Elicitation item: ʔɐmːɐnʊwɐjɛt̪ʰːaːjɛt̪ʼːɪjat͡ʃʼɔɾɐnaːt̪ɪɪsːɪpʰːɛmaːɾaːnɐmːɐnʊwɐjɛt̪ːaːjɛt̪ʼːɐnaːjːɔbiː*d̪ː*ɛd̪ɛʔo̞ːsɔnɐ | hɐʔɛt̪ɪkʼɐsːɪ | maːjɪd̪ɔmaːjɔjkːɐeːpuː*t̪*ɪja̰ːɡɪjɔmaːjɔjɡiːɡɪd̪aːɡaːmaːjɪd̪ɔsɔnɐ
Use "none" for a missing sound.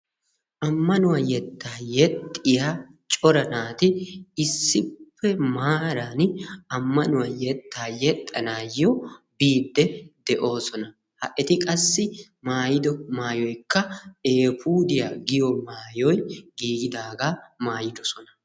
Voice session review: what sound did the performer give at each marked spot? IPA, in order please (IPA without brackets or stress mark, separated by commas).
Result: d̪ː, d̪